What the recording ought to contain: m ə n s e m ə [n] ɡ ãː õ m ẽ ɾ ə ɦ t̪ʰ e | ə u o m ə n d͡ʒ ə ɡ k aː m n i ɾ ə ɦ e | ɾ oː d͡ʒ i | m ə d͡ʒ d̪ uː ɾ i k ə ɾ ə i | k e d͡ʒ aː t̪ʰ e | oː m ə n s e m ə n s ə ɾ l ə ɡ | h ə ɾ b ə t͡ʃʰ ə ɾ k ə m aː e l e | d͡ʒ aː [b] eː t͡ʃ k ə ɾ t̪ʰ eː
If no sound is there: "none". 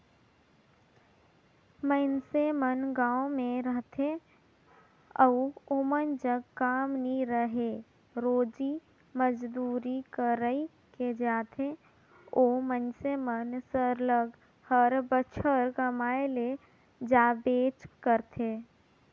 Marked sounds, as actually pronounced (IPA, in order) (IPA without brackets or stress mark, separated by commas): n, b